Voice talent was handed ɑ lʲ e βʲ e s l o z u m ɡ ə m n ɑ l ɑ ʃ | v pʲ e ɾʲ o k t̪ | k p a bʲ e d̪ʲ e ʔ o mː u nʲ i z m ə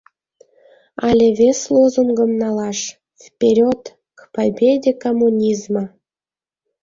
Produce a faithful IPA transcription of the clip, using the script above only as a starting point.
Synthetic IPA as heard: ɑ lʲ e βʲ e s l o z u m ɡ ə m n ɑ l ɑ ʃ | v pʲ e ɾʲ o t̪ | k p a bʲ e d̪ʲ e k o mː u nʲ i z m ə